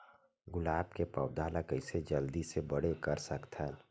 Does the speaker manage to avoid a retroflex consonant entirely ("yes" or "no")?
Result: no